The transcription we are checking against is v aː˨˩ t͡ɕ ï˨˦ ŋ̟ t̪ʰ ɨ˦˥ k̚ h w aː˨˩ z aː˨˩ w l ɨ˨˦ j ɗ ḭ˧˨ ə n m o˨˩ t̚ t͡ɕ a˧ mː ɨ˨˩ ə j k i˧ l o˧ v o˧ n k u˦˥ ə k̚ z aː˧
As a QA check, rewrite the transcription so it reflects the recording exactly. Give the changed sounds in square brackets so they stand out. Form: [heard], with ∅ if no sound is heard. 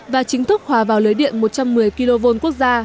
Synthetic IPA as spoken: v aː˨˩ t͡ɕ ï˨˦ ŋ̟ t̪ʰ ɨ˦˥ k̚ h w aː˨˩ [v] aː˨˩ w l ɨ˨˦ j ɗ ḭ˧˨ ə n m o˨˩ t̚ t͡ɕ a˧ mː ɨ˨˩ ə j k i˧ l o˧ v o˧ n k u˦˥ ə k̚ z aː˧